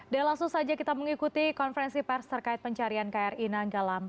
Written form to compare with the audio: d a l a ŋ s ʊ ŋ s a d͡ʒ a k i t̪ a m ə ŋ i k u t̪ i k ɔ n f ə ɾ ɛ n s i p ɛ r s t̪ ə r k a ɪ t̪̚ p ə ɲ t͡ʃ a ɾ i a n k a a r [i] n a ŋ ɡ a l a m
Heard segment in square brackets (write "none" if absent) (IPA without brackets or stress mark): i